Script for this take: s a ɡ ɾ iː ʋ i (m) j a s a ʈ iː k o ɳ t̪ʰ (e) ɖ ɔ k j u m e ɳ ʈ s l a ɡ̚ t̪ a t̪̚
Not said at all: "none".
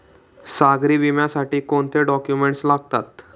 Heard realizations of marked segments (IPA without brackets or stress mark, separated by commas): m, e